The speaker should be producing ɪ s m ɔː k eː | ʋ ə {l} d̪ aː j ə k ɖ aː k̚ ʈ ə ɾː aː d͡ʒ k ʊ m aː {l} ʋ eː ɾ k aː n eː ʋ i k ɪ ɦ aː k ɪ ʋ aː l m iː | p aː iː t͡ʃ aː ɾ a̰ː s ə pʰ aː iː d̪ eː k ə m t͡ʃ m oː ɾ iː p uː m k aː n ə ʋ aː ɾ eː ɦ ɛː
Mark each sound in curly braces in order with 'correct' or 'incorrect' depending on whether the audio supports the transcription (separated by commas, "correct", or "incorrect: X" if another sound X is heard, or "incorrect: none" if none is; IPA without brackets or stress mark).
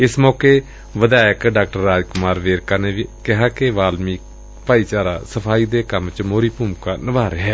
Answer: incorrect: none, incorrect: ɾ